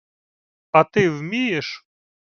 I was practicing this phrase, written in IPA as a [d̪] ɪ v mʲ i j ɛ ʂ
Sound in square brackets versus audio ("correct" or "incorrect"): incorrect